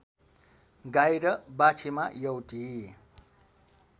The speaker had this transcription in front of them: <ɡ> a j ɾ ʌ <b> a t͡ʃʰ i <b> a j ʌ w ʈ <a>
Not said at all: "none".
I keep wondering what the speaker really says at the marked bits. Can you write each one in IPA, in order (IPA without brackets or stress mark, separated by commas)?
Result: ɡ, b, m, i